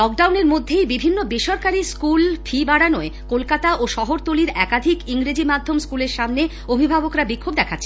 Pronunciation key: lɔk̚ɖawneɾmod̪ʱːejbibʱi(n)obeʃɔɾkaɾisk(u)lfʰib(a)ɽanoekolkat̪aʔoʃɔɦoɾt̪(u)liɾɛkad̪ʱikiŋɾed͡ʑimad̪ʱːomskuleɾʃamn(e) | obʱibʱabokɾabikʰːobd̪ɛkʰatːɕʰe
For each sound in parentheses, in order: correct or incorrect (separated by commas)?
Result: incorrect, correct, correct, incorrect, correct